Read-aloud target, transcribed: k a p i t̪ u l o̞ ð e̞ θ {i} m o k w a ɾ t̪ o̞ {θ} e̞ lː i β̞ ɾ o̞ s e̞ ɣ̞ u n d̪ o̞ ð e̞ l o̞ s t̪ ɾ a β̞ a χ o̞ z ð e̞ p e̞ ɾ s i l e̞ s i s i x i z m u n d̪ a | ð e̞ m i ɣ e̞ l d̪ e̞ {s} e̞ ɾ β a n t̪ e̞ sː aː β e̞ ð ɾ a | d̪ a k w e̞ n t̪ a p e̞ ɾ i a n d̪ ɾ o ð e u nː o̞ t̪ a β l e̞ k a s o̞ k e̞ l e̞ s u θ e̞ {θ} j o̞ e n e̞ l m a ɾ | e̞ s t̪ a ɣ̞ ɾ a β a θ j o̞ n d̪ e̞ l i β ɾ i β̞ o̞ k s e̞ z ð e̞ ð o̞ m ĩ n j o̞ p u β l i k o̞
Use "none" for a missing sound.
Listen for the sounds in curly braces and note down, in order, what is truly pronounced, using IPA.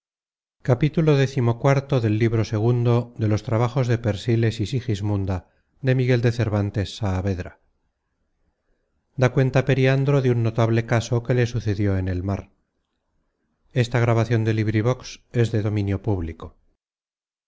i, ð, θ, ð

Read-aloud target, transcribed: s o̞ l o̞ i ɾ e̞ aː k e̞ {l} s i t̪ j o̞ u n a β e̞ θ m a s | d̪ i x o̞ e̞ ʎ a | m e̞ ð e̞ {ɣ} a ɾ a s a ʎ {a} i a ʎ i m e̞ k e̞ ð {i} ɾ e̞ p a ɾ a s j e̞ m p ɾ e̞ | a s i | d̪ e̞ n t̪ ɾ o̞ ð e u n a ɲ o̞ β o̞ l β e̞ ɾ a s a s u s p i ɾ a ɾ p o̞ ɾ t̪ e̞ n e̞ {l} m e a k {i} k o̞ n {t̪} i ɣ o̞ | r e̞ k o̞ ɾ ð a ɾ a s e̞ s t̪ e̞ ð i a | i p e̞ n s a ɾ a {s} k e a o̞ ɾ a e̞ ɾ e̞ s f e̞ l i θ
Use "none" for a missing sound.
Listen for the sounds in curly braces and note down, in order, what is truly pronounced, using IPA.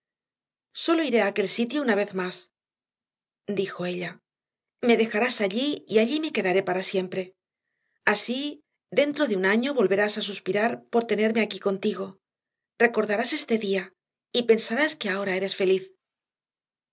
l, x, i, a, ɾ, i, t̪, s

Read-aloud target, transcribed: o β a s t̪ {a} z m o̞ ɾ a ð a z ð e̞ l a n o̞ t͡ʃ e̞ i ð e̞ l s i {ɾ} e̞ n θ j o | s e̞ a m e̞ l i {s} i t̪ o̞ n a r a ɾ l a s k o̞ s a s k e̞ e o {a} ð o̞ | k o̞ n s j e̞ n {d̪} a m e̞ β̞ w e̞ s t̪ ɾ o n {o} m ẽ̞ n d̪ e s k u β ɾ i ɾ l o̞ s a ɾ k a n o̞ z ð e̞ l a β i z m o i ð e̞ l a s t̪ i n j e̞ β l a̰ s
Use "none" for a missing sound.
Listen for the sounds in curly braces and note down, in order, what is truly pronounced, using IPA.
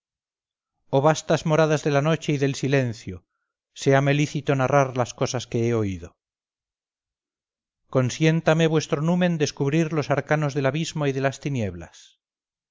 a, l, θ, i, t̪, u

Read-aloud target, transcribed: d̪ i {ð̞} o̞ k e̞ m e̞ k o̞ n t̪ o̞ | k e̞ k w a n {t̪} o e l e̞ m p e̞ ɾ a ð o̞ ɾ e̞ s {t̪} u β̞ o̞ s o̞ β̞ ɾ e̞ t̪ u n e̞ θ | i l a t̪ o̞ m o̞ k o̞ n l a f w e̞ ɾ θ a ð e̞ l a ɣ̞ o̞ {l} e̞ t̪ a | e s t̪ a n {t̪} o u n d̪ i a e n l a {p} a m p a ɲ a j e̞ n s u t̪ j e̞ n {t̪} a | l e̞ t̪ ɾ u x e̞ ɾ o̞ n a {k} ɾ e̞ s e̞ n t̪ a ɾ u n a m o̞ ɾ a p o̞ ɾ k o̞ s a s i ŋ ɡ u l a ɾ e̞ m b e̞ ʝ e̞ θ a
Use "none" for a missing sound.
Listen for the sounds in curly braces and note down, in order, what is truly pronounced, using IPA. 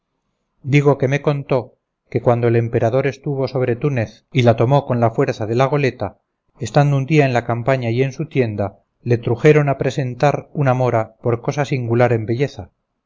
ɣ̞, d̪, t̪, l, d̪, k, d̪, p

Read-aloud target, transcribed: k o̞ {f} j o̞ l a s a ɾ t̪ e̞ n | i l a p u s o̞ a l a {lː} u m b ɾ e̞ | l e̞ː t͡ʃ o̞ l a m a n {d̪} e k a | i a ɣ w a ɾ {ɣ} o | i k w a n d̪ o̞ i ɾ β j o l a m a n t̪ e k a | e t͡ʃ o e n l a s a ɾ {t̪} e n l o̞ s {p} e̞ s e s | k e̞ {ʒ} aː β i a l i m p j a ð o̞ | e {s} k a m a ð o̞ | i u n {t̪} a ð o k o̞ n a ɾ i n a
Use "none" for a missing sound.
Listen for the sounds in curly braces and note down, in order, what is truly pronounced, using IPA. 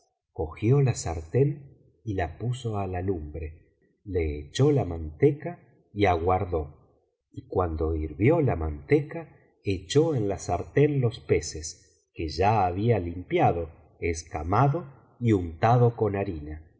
x, l, t̪, ð, t̪, p, ʒ, s, t̪

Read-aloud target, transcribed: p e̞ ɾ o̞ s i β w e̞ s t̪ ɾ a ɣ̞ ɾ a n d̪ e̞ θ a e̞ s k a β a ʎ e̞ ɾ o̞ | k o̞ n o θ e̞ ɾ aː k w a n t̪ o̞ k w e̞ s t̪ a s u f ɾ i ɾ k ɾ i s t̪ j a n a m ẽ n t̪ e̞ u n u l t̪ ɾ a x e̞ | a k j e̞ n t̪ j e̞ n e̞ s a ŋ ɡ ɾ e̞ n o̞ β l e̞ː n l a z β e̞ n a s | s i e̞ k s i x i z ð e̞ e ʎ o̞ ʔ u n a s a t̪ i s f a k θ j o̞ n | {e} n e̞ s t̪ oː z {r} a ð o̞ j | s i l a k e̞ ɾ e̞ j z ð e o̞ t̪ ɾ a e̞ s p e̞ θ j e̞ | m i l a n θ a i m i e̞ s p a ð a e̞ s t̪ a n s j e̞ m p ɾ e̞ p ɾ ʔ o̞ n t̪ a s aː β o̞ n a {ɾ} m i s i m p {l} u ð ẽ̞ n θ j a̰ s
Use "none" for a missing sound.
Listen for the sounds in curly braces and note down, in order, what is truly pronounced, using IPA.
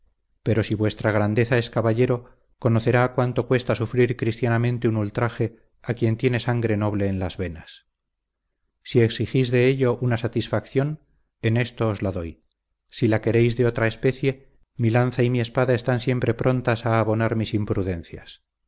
e, l, ɾ, ɾ

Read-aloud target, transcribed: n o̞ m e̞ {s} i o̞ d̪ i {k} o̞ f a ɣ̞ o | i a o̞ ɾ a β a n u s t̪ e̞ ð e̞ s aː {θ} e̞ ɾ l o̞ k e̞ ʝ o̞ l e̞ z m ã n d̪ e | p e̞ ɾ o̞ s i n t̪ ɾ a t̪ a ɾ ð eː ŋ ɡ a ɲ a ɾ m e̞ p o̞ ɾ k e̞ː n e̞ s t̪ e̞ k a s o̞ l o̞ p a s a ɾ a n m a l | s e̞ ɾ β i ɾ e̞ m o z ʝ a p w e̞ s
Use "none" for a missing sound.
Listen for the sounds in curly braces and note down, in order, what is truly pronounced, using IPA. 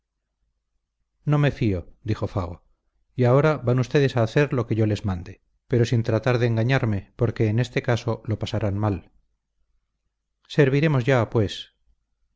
f, x, θ

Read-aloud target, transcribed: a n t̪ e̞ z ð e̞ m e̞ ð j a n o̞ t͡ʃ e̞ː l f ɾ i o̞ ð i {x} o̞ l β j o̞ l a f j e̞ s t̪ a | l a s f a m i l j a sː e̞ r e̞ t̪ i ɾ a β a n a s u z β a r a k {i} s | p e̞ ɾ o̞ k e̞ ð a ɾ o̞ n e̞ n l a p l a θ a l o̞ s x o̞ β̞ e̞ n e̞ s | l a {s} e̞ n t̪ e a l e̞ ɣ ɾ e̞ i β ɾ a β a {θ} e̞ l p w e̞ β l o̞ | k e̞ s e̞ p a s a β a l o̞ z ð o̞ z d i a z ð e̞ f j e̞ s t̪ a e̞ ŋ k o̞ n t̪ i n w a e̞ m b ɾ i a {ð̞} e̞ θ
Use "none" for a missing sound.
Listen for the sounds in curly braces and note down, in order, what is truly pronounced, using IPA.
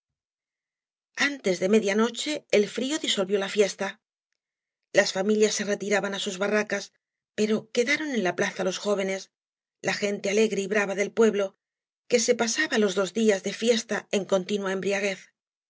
s, a, x, ð, ɣ̞

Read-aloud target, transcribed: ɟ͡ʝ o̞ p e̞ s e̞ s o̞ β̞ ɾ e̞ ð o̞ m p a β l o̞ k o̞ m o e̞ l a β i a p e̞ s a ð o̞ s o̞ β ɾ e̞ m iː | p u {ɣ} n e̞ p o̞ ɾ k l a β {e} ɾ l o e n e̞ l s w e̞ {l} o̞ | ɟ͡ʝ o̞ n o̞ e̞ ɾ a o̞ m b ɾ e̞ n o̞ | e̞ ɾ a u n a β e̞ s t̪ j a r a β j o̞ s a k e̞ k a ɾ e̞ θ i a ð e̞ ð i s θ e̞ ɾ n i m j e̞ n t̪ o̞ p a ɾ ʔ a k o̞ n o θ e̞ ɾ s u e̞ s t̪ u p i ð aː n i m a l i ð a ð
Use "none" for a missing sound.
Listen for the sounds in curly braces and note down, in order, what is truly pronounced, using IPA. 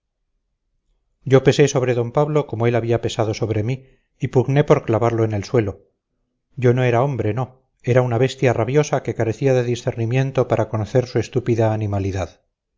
ɣ, a, l

